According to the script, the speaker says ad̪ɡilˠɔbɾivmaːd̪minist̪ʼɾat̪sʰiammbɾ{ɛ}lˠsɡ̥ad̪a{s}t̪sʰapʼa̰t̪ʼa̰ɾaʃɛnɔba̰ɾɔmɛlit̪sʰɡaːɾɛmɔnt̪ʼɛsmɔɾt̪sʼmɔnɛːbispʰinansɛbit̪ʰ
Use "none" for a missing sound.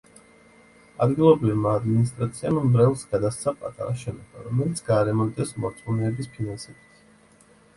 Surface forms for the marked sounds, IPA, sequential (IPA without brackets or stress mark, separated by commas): ɛ, s